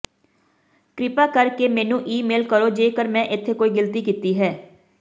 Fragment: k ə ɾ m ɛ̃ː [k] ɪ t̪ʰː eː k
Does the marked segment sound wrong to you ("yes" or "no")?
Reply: yes